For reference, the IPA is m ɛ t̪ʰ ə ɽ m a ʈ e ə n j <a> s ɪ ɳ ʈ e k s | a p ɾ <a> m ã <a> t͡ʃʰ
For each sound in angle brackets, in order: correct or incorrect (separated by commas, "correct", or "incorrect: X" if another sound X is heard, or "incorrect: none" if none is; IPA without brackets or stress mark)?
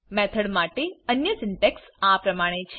incorrect: ə, incorrect: ə, incorrect: e